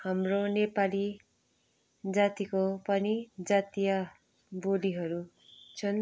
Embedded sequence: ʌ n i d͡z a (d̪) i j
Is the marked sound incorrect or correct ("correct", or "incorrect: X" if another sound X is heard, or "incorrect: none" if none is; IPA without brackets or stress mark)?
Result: incorrect: t̪